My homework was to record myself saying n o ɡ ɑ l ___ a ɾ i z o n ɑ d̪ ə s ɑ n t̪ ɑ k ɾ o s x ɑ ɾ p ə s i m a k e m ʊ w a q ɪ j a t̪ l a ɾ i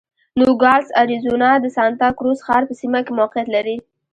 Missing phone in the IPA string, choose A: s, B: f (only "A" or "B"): A